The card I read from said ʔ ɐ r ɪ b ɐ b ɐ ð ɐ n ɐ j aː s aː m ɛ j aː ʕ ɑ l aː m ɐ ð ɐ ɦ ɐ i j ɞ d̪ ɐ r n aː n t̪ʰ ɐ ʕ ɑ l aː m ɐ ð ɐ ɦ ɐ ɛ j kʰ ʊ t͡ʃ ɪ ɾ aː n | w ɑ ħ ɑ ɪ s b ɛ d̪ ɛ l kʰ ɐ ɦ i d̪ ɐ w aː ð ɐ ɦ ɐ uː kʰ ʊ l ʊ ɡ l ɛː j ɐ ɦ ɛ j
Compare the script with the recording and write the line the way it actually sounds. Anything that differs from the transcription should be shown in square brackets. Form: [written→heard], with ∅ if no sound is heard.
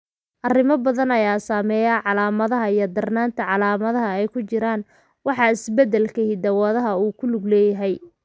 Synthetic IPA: ʔ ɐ r ɪ [b→m] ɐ b ɐ ð ɐ n ɐ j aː s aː m ɛ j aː ʕ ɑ l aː m ɐ ð ɐ ɦ ɐ i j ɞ d̪ ɐ r n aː n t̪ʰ ɐ ʕ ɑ l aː m ɐ ð ɐ ɦ ɐ ɛ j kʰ ʊ t͡ʃ ɪ ɾ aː n | w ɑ ħ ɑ ɪ s b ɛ d̪ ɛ l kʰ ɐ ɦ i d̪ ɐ w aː ð ɐ ɦ ɐ uː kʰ ʊ l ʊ ɡ l ɛː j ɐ ɦ ɛ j